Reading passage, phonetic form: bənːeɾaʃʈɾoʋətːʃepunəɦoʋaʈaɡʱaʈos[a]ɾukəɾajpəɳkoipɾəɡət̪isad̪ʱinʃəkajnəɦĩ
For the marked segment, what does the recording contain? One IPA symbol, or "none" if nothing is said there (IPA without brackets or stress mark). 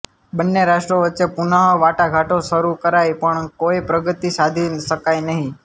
ə